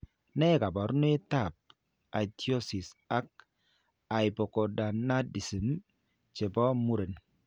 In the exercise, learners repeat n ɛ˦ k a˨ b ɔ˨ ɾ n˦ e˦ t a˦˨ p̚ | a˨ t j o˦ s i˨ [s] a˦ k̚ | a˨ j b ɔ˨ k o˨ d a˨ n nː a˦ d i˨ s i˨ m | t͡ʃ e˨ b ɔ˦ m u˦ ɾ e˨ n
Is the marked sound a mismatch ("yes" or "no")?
no